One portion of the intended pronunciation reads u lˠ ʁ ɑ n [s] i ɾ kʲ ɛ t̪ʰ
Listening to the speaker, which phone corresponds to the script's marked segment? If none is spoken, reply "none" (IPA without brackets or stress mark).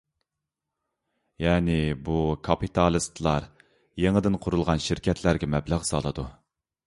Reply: ʃ